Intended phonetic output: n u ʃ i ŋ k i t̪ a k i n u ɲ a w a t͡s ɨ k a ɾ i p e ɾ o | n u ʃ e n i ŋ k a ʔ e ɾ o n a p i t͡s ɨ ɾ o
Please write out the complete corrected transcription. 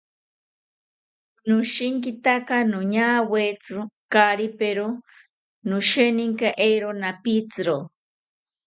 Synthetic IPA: n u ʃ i ŋ k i t̪ a k a n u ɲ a w e t͡s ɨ k a ɾ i p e ɾ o | n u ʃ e n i ŋ k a ʔ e ɾ o n a p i t͡s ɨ ɾ o